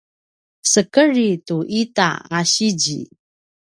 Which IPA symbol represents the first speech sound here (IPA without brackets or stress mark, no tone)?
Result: s